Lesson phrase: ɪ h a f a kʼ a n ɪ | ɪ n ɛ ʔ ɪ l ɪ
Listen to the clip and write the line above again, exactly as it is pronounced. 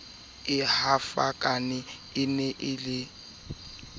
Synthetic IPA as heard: ɪ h a f a kʼ a n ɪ | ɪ n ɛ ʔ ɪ l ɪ